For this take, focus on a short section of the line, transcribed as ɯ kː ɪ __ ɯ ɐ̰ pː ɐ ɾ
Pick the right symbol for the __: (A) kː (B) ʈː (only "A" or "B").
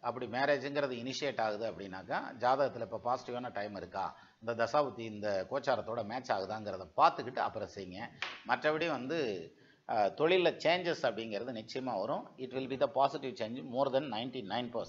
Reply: B